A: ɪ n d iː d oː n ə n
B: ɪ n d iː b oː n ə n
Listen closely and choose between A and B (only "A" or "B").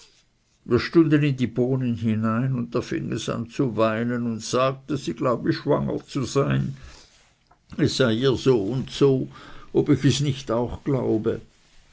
B